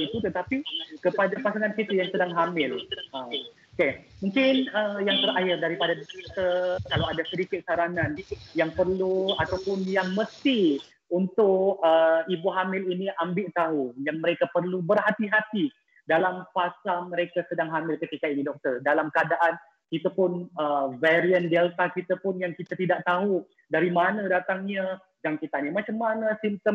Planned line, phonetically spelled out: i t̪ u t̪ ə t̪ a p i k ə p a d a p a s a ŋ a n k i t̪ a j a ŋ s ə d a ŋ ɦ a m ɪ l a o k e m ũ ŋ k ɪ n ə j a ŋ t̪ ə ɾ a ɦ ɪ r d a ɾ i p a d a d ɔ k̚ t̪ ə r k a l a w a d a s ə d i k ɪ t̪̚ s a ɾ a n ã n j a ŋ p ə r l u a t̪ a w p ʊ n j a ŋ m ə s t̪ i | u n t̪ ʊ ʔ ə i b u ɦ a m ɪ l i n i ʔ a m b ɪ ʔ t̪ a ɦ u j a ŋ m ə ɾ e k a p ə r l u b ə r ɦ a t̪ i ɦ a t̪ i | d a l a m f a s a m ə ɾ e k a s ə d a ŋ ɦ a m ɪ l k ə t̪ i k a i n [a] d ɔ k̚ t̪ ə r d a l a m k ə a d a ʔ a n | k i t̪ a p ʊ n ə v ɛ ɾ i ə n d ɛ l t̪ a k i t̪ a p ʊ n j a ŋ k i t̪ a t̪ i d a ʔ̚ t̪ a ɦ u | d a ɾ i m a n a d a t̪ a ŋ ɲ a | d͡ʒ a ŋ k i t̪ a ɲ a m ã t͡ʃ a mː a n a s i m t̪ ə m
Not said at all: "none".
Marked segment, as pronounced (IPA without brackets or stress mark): i